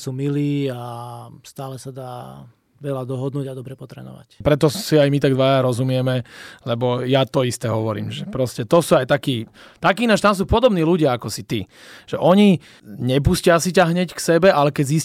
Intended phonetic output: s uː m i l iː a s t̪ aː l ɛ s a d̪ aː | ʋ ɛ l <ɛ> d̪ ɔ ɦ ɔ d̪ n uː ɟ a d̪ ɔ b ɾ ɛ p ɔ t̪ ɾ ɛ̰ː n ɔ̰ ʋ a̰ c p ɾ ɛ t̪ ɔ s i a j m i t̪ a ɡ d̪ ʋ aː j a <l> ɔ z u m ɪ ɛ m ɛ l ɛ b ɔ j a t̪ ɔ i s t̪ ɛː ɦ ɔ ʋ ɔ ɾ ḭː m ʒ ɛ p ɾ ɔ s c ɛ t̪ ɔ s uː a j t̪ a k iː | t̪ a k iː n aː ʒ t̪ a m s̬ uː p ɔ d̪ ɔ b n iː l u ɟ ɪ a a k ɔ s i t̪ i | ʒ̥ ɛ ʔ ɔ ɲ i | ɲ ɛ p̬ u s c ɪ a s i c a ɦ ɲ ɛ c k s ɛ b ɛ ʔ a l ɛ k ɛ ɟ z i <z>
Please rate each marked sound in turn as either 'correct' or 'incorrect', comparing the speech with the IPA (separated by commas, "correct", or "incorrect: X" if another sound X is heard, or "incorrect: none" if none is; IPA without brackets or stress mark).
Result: incorrect: a, incorrect: ɾ, incorrect: s